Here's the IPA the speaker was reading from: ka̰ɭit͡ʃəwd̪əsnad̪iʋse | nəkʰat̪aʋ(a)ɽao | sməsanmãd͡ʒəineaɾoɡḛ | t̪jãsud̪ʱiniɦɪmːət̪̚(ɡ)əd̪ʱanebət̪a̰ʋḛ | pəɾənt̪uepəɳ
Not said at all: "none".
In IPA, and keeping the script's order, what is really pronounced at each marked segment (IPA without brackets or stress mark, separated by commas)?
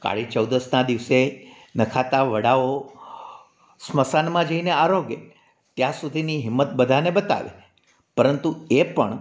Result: ə, b